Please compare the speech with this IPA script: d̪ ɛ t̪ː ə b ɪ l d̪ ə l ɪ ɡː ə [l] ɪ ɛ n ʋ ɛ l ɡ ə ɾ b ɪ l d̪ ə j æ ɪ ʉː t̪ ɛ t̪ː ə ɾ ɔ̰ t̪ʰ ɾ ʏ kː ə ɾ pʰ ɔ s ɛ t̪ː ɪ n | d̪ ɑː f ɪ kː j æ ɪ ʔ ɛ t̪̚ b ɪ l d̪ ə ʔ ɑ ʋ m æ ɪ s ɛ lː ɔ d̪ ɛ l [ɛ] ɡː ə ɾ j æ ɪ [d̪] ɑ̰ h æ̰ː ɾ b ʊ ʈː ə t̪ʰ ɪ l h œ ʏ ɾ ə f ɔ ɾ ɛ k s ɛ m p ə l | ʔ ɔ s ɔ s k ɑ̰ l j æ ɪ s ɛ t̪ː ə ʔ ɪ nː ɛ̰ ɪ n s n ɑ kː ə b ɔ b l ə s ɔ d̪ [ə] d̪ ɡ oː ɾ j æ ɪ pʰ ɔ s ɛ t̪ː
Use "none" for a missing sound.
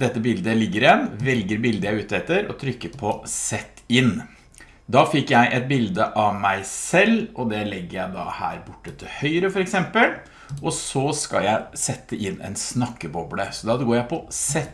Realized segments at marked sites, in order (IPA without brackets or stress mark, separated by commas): ɾ, ɛ, d̪, ɑ